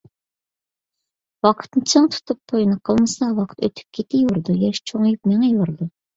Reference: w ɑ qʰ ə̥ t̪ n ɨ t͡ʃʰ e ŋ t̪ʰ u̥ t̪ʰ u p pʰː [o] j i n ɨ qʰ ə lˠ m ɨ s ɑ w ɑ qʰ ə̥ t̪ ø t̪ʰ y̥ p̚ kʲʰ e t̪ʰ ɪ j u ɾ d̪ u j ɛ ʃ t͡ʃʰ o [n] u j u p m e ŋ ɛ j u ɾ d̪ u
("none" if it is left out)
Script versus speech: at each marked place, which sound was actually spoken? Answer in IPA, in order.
o, ŋ

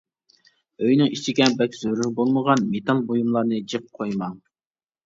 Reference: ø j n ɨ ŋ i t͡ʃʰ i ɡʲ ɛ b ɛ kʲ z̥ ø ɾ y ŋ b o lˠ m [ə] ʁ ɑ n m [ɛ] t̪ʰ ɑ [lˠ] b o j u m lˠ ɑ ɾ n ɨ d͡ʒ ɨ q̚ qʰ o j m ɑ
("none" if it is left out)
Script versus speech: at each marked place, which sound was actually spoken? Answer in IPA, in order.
ə, e, lˠ

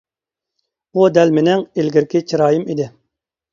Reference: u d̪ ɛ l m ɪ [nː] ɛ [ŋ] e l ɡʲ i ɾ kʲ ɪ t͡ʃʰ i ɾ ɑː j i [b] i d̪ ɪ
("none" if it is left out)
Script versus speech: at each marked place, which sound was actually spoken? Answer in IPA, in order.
n, ŋ, m

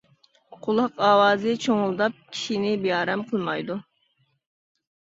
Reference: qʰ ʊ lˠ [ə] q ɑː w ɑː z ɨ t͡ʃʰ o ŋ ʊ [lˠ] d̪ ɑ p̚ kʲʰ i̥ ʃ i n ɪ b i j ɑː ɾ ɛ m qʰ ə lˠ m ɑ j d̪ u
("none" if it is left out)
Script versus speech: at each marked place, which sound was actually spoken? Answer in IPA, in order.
ɑ, lˠ

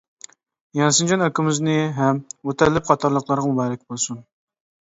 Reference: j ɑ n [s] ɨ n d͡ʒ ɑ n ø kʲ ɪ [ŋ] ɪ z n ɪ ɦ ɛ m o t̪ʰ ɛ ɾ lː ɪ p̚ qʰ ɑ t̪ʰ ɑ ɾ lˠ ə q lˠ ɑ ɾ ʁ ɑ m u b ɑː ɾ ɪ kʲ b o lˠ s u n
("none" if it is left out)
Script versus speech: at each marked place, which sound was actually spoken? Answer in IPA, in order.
s, m

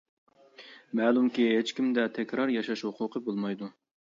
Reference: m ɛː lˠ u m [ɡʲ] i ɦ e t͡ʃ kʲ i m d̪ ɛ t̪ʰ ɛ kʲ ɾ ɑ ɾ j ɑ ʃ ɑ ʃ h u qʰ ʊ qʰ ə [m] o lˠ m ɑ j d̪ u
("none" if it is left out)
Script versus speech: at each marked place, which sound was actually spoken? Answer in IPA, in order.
kʲ, b

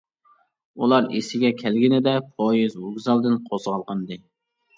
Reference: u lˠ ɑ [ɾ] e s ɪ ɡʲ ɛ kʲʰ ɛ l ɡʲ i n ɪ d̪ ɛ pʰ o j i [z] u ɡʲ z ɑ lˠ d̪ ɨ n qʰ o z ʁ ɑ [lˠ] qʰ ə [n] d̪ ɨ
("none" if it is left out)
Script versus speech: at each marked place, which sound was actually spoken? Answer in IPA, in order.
ɾ, z, lˠ, n

